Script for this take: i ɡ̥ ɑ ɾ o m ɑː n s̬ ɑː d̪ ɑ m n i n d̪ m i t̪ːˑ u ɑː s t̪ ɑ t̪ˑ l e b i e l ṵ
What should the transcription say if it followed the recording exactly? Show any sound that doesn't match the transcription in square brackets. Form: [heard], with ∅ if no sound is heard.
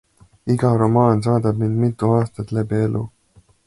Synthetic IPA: i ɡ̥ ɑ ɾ o m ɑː n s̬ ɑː d̪ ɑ [b] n i n d̪ m i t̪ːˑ u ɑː s t̪ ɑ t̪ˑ l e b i e l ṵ